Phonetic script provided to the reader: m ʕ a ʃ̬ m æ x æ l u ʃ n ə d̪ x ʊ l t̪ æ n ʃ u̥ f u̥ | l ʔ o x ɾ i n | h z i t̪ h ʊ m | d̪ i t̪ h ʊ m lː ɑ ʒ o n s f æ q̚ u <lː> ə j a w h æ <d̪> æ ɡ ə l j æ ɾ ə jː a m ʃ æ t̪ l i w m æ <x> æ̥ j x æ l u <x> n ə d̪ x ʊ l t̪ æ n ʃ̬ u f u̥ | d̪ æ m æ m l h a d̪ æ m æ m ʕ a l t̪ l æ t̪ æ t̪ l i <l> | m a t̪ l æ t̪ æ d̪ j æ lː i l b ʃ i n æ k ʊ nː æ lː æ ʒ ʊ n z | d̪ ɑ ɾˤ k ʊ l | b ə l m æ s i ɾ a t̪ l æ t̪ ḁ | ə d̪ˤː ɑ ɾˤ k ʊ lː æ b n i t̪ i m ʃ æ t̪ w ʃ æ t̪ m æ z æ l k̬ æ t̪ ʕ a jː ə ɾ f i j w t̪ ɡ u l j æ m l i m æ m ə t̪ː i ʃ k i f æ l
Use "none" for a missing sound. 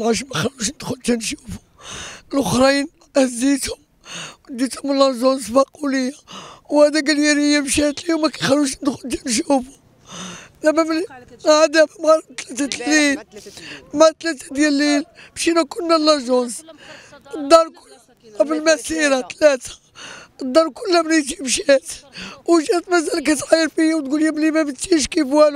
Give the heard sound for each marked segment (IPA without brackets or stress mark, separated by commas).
l, d̪, k, ʃ, l